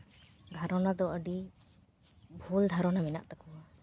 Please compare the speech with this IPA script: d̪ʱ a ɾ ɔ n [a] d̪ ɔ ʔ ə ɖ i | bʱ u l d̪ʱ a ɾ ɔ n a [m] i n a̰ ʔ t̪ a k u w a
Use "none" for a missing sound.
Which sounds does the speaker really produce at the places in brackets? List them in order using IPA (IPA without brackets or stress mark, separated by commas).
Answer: a, m